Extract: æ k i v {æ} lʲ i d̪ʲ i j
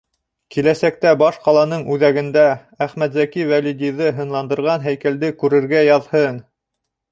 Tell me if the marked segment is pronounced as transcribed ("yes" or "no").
yes